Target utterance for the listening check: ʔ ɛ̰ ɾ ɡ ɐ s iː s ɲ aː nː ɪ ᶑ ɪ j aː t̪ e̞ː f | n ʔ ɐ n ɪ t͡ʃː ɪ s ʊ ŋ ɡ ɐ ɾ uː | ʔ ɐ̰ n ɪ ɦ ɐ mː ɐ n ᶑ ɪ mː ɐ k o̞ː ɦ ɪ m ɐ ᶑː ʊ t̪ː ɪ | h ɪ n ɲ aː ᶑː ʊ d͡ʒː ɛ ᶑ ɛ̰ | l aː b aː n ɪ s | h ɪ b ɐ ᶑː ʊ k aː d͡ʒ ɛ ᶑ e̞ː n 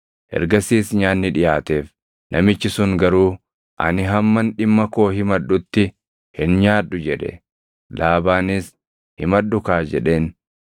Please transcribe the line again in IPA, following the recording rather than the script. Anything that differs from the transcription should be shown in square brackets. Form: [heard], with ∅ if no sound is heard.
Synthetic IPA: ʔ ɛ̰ ɾ ɡ ɐ s iː s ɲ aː nː ɪ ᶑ ɪ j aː t̪ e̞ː f | n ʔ ɐ [m] ɪ t͡ʃː ɪ s ʊ ŋ ɡ ɐ ɾ uː | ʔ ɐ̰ n ɪ ɦ ɐ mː ɐ n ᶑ ɪ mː ɐ k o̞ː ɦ ɪ m ɐ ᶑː ʊ t̪ː ɪ | h ɪ n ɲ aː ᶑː ʊ [d͡ʒ] ɛ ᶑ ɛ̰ | l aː b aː n ɪ s | h ɪ [m] ɐ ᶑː ʊ k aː d͡ʒ ɛ ᶑ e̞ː n

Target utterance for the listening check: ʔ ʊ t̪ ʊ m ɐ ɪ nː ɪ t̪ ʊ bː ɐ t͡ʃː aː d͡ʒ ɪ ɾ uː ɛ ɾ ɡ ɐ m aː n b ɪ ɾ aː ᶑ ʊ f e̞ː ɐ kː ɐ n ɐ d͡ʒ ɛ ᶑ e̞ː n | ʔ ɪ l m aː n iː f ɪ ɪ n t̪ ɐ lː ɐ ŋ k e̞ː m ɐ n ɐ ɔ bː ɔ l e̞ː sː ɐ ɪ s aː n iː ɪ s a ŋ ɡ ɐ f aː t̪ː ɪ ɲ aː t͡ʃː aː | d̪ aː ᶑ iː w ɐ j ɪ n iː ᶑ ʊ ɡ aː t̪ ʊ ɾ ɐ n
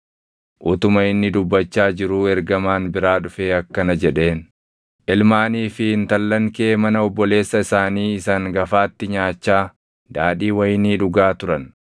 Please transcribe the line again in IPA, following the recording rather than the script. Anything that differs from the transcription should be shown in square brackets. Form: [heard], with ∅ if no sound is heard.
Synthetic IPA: ʔ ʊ t̪ ʊ m ɐ ɪ nː ɪ [d̪] ʊ bː ɐ t͡ʃː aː d͡ʒ ɪ ɾ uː ɛ ɾ ɡ ɐ m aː n b ɪ ɾ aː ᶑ ʊ f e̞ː ɐ kː ɐ n ɐ d͡ʒ ɛ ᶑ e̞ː n | ʔ ɪ l m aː n iː f ɪ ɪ n t̪ ɐ lː ɐ ŋ k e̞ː m ɐ n ɐ ɔ bː ɔ l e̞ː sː ɐ ɪ s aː n iː ɪ s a ŋ ɡ ɐ f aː t̪ː ɪ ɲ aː t͡ʃː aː | d̪ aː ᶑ iː w ɐ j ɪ n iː ᶑ ʊ ɡ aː t̪ ʊ ɾ ɐ n

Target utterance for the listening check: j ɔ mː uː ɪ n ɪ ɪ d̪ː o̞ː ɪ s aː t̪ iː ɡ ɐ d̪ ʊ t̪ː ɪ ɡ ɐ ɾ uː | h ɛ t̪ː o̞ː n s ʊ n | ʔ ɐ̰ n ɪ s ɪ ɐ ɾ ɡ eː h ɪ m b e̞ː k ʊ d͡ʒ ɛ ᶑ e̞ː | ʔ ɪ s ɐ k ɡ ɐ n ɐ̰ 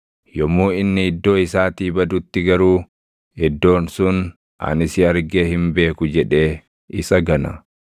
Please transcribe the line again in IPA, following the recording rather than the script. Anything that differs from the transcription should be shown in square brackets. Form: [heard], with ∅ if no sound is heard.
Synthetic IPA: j ɔ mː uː ɪ [nː] ɪ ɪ d̪ː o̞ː ɪ s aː t̪ iː [b] ɐ d̪ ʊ t̪ː ɪ ɡ ɐ ɾ uː | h ɛ [d̪ː] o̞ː n s ʊ n | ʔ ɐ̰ n ɪ s ɪ ɐ ɾ ɡ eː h ɪ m b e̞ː k ʊ d͡ʒ ɛ ᶑ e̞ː | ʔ ɪ s ɐ [∅] ɡ ɐ n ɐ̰

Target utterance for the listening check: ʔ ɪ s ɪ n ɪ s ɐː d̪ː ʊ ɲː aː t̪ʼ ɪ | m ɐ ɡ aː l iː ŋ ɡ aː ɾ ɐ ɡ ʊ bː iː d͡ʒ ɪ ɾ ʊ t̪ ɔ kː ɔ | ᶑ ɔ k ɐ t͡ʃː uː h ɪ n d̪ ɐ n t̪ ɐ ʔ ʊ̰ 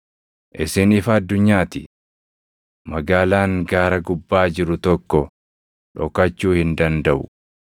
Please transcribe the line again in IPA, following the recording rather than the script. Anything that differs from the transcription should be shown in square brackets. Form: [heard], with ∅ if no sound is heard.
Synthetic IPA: ʔ ɪ s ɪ n ɪ [f] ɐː d̪ː ʊ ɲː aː [t̪] ɪ | m ɐ ɡ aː l [aː] ŋ ɡ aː ɾ ɐ ɡ ʊ bː [aː] d͡ʒ ɪ ɾ ʊ t̪ ɔ kː ɔ | ᶑ ɔ k ɐ t͡ʃː uː h ɪ n d̪ ɐ n [d̪] ɐ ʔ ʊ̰

